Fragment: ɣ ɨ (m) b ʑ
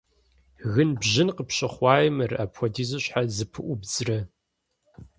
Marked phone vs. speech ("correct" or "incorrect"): incorrect